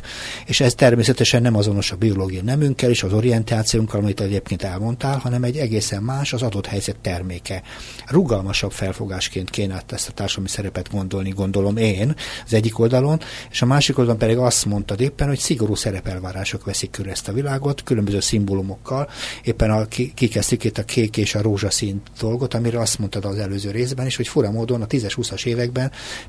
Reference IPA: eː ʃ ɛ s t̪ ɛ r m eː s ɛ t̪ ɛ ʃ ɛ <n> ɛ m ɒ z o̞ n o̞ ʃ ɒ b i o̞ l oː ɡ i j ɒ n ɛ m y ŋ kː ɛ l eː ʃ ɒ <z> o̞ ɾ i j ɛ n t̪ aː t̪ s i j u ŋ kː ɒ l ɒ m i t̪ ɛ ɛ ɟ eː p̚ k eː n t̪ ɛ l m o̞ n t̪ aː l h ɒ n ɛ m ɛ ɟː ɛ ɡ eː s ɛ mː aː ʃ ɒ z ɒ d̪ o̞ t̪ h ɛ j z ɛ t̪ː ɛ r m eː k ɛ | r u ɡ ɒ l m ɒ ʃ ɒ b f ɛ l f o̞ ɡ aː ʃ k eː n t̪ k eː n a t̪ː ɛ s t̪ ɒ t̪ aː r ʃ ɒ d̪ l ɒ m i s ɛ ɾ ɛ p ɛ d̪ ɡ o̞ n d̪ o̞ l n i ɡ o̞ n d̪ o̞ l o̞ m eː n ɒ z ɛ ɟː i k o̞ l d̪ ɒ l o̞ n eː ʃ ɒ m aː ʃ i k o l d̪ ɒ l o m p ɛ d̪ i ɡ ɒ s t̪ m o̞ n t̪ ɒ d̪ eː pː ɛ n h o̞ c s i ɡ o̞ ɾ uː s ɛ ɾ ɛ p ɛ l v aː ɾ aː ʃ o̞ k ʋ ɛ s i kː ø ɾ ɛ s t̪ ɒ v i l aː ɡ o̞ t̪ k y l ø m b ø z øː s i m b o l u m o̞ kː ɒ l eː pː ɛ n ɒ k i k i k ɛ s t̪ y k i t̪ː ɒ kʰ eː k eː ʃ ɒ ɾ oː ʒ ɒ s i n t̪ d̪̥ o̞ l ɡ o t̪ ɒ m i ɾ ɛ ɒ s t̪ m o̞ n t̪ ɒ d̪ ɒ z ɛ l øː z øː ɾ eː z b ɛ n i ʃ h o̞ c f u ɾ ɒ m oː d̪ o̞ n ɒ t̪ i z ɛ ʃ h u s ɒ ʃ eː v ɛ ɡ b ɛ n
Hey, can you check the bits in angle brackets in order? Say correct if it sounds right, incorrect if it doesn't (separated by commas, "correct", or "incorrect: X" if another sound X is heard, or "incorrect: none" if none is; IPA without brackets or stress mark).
incorrect: nː, correct